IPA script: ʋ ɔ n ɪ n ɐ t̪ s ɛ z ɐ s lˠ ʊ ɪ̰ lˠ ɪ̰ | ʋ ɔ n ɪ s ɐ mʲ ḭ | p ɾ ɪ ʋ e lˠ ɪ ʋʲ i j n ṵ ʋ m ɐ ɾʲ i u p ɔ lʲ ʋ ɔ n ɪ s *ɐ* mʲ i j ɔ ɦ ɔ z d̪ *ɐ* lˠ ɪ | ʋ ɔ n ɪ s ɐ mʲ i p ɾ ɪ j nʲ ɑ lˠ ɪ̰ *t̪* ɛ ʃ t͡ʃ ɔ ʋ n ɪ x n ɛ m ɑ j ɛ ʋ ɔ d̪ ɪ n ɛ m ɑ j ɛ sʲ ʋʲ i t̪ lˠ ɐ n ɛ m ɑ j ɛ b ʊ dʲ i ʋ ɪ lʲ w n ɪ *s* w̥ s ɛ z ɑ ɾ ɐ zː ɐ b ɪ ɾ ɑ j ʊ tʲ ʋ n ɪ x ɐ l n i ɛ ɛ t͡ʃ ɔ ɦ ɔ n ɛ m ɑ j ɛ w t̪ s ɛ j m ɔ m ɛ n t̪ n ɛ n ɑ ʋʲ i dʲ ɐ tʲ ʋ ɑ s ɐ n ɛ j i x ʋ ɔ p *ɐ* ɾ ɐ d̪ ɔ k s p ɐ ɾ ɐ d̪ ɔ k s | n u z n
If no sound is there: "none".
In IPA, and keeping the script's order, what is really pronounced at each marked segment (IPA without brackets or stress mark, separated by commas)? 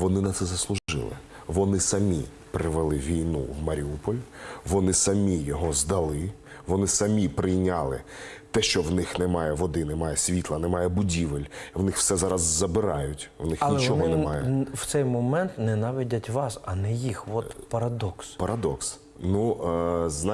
ɐ, ɐ, t̪, x, ɐ